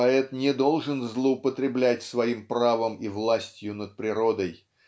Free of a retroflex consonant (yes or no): no